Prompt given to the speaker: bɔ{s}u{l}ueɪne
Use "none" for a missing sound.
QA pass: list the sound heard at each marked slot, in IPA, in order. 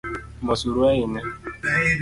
s, ɾ

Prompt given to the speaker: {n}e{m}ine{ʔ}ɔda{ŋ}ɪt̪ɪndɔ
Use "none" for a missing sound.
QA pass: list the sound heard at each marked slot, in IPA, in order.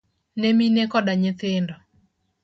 n, m, k, ɲ

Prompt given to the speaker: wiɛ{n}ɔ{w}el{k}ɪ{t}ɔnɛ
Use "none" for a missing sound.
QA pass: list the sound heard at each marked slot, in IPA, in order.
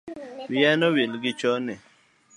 n, w, ɡ, t͡ʃ

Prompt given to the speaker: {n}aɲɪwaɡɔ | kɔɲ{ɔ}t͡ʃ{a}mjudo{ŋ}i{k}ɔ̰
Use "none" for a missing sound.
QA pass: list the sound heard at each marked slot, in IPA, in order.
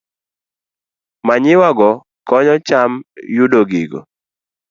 m, ɔ, a, ɡ, ɡ

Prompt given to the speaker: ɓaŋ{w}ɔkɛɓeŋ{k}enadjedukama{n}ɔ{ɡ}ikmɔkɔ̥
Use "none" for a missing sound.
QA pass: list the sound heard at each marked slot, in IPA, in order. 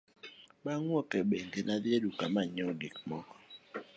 w, ɡ, ɲ, ɡ

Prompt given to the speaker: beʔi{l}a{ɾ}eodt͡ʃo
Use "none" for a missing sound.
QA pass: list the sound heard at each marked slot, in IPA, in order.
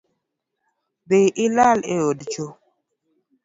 l, l

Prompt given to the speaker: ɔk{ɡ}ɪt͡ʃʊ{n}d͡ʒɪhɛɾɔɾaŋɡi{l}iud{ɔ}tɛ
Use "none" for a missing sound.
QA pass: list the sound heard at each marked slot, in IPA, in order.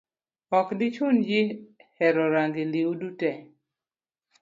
d, n, l, u

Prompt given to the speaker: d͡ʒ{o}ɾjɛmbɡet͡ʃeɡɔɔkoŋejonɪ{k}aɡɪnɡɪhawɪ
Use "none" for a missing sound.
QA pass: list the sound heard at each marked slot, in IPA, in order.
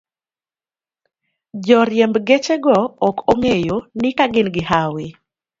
ɔ, k

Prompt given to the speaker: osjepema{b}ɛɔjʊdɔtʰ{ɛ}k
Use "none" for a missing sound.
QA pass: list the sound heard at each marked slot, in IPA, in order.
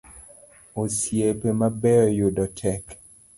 b, ɛ

